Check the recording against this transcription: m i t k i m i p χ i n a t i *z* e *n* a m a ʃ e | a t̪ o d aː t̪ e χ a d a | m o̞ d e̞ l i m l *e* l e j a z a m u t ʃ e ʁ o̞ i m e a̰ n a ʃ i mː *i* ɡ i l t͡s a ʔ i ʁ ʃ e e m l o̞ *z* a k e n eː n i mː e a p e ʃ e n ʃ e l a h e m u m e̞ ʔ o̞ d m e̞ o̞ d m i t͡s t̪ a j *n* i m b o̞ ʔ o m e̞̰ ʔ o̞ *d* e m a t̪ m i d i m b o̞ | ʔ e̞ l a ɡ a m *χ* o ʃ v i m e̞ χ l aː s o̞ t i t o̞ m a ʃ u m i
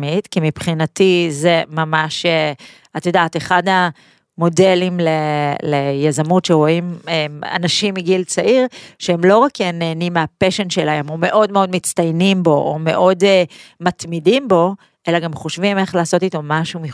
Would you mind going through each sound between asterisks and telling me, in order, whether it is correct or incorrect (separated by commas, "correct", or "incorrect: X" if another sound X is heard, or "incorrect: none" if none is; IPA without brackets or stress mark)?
correct, incorrect: m, correct, correct, incorrect: ʁ, correct, correct, correct